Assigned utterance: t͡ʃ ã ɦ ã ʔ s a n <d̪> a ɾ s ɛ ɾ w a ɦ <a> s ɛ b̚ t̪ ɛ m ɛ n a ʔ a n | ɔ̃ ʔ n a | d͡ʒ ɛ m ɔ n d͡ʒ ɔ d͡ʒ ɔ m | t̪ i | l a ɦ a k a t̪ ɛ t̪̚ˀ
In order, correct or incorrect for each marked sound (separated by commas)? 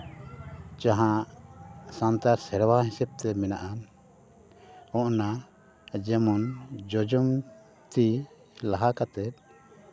incorrect, incorrect